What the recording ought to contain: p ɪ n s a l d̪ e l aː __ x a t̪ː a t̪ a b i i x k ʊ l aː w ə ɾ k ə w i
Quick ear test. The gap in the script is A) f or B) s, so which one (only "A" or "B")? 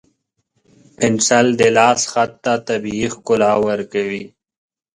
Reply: B